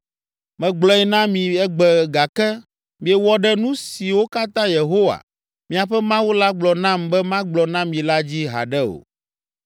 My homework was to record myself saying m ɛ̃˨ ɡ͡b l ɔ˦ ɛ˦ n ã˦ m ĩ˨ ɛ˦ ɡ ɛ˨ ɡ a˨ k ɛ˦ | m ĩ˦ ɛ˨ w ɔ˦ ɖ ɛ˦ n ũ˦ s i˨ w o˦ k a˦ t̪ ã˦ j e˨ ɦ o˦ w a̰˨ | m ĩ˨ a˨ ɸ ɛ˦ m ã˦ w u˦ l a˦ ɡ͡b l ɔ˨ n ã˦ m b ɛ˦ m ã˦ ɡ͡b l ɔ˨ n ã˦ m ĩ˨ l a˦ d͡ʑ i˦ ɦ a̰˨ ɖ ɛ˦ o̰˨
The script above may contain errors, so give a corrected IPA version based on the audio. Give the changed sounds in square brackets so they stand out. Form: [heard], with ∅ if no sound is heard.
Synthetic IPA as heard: m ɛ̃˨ ɡ͡b l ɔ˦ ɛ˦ n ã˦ m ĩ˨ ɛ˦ [ɡ͡b] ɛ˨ ɡ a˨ k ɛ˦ | m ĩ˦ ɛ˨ w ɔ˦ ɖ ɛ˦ n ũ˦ s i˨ w o˦ k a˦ t̪ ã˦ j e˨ ɦ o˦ w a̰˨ | m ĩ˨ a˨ ɸ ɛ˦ m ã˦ w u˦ l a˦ ɡ͡b l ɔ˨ n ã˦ m b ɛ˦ m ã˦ ɡ͡b l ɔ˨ n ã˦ m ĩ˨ l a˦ d͡ʑ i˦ ɦ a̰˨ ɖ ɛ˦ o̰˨